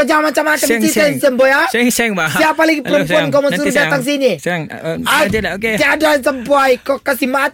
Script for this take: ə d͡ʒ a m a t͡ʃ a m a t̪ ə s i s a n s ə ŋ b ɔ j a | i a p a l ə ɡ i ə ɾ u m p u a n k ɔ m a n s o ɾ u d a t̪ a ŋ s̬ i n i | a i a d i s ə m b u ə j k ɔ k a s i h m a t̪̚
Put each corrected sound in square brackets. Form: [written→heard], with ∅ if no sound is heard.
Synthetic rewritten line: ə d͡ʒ a m a t͡ʃ a m a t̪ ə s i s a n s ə [ŋ→m] b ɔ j a | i a p a l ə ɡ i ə ɾ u m p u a n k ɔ m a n s [o→u] ɾ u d a t̪ a ŋ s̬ i n i | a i a d [i→a] s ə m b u [ə→a] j k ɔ k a s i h m a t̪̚